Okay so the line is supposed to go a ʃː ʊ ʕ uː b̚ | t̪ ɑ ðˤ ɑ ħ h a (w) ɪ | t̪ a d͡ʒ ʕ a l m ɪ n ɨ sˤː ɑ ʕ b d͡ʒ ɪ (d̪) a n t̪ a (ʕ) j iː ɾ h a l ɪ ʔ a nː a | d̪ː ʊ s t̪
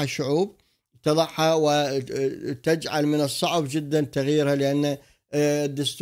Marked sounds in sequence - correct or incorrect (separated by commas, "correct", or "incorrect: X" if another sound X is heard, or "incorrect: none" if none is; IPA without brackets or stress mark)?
correct, incorrect: d̪ː, incorrect: ɣ